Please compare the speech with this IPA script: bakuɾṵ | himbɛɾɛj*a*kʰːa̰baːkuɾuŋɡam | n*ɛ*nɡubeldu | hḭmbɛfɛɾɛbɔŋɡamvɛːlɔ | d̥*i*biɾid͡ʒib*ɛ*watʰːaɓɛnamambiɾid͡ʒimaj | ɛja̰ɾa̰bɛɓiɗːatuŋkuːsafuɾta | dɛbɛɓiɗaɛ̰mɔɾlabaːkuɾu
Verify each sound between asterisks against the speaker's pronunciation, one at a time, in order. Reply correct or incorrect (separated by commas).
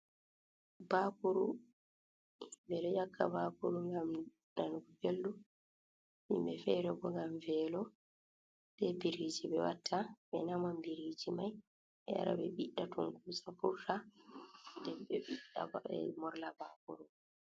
correct, incorrect, incorrect, correct